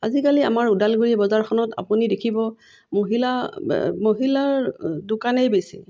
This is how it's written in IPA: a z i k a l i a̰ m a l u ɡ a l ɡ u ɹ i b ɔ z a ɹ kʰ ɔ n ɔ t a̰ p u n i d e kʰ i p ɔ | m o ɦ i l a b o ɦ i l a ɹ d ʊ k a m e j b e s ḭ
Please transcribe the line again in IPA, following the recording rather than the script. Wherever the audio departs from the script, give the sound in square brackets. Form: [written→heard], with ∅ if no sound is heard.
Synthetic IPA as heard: a z i k a l i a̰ m a [l→ɹ] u [ɡ→d] a l ɡ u ɹ i b ɔ z a ɹ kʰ ɔ n ɔ t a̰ p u n i d e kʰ i [p→b] ɔ | m o ɦ i l a [b→m] o ɦ i l a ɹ d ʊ k a [m→n] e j b e s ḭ